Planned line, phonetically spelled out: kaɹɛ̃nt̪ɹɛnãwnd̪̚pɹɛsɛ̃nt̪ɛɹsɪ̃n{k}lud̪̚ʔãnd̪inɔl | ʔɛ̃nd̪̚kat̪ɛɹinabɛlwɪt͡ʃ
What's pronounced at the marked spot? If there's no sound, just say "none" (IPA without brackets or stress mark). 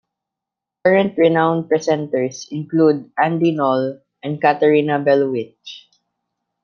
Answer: k